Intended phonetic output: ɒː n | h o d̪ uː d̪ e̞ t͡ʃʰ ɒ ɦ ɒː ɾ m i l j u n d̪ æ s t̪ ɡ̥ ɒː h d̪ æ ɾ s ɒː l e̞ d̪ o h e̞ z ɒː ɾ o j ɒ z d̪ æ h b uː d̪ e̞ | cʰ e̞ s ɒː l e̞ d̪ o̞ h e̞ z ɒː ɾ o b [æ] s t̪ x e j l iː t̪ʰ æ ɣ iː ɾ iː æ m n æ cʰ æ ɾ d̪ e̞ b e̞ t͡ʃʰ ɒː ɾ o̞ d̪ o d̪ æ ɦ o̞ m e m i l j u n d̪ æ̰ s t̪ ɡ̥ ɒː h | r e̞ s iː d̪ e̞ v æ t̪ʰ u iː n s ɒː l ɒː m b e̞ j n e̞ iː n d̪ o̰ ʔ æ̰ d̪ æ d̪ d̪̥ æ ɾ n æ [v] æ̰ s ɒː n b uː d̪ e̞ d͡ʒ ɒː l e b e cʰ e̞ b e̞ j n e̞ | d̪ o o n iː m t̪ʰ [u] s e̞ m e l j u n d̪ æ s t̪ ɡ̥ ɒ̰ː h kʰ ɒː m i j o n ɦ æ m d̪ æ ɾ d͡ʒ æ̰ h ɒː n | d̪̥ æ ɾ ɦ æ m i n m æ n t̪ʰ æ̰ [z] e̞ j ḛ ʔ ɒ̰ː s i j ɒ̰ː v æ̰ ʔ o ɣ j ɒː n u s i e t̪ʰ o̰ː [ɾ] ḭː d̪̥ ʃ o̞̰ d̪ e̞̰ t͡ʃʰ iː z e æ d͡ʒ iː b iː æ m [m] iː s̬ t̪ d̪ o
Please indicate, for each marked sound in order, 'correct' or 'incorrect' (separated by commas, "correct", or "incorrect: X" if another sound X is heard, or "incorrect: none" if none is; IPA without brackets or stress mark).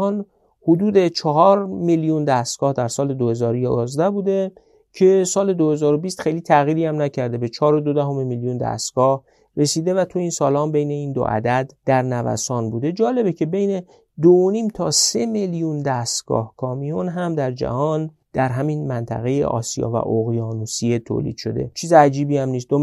incorrect: i, correct, incorrect: ɒ, incorrect: ɣ, incorrect: l, incorrect: n